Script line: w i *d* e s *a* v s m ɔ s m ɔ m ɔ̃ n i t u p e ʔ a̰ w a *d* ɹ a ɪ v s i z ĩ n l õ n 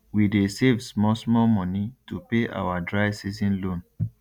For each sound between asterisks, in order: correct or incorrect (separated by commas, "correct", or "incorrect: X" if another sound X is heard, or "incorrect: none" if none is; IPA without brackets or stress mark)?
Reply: correct, incorrect: e, correct